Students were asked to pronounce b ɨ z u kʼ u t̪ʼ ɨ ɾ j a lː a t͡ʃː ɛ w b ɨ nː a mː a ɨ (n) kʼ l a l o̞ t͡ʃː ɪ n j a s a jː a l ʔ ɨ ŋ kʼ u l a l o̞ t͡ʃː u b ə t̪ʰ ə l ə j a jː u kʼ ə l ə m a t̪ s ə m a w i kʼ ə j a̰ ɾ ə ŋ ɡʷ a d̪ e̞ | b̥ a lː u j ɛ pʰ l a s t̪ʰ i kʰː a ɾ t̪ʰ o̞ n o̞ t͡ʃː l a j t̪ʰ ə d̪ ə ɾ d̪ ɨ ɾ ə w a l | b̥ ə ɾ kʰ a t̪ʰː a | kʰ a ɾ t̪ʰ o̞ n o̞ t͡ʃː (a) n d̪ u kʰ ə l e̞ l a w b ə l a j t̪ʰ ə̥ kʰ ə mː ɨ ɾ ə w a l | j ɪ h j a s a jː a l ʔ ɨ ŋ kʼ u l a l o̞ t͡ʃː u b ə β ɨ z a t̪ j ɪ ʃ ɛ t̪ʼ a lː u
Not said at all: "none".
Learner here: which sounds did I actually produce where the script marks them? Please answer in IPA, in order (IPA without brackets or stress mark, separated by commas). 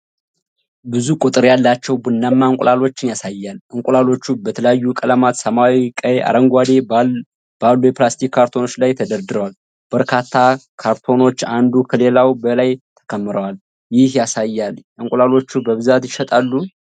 ŋ, a